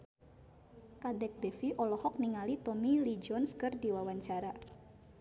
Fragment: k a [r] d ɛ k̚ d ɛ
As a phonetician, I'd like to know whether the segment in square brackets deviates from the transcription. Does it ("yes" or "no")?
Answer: yes